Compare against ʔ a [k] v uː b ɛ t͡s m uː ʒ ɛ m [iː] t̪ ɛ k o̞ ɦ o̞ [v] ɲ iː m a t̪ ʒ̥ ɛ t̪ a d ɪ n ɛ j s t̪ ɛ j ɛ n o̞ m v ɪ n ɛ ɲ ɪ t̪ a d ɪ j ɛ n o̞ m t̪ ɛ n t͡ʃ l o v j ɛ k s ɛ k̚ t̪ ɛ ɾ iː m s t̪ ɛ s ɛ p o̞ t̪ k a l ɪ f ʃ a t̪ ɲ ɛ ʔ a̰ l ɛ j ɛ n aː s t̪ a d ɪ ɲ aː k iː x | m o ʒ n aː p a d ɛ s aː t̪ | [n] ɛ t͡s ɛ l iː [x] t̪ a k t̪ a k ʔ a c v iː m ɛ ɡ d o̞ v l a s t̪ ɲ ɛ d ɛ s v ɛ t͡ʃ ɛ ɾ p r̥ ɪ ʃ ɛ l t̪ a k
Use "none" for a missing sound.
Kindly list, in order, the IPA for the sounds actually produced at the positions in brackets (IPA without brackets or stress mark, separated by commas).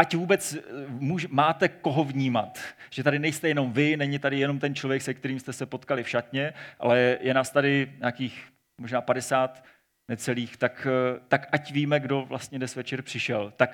c, aː, v, n, x